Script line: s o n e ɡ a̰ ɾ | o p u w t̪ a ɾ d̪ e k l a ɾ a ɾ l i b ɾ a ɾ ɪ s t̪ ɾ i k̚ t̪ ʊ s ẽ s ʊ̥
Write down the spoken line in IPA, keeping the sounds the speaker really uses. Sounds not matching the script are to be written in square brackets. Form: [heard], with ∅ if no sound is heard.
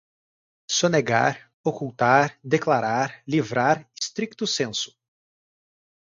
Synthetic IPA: s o n e ɡ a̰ ɾ | o [k] u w t̪ a ɾ d̪ e k l a ɾ a ɾ l i [v] ɾ a ɾ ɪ s t̪ ɾ i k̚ t̪ ʊ s ẽ s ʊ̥